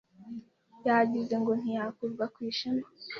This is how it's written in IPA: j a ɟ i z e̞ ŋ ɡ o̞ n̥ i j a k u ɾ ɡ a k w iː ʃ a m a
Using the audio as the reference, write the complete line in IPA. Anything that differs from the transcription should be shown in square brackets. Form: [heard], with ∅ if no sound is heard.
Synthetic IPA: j a ɟ i z e̞ ŋ ɡ o̞ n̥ i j a k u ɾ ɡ a k w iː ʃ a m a

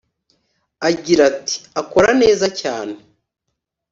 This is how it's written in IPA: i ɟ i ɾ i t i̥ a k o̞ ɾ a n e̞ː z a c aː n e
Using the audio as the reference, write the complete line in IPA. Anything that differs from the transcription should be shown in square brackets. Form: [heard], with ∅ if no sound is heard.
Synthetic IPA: [a] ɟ i ɾ [a] t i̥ a k o̞ ɾ a n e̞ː z a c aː n e

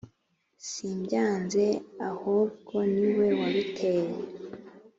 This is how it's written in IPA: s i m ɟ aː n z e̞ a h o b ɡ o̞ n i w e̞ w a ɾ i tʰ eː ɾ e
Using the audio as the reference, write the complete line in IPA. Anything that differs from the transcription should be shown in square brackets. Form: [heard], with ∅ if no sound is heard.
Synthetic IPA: s i m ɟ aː n z e̞ a h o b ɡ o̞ n i w e̞ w a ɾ i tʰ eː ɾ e

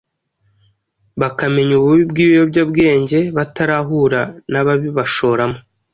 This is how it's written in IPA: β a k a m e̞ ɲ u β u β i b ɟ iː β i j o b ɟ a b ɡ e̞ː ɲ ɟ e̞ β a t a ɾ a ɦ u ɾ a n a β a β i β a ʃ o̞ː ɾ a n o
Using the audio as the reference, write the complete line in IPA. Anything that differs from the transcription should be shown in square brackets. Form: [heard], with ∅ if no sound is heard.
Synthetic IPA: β a k a m e̞ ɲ u β u β i b [ɡ] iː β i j o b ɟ a b ɡ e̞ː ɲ ɟ e̞ β a t a ɾ a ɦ u ɾ a n a β a β i β a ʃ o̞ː ɾ a [m] o

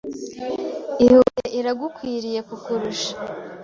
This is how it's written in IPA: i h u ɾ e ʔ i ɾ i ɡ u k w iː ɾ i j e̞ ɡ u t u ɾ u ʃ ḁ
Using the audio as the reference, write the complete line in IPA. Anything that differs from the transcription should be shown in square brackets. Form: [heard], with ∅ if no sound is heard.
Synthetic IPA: i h u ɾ e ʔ i ɾ [a] ɡ u k w iː ɾ i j e̞ [k] u [k] u ɾ u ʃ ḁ

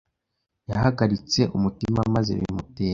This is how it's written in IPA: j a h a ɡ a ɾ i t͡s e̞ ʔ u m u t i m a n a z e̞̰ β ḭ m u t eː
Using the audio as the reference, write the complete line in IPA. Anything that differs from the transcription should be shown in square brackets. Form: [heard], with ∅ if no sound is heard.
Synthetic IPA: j a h a ɡ a ɾ i t͡s e̞ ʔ u m u t i m a [m] a z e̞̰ β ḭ m u t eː

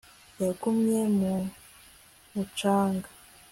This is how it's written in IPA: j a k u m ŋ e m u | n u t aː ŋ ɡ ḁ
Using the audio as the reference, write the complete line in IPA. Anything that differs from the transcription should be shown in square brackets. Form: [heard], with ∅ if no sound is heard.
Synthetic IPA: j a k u m [ɲ] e m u | [m] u [t͡ʃ] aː ŋ ɡ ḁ

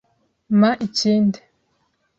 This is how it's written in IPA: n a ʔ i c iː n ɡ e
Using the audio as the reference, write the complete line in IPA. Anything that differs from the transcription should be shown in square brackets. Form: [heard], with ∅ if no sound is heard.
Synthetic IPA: [m] a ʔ i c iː n [d] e

